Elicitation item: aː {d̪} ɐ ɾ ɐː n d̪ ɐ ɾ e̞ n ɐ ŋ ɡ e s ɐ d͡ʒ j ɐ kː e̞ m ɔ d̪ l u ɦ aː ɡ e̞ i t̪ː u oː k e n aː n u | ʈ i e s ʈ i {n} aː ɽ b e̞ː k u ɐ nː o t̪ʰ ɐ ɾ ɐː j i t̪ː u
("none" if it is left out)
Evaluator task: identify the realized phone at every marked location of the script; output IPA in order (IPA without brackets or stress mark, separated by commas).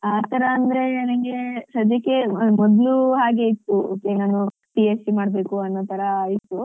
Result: t̪, m